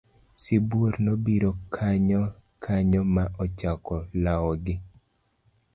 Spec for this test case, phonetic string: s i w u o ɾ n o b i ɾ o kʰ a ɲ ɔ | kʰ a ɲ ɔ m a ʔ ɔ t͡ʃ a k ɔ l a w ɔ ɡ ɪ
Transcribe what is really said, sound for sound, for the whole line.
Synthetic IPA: s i b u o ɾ n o b i ɾ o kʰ a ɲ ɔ | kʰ a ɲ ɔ m a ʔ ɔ t͡ʃ a k ɔ l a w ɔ ɡ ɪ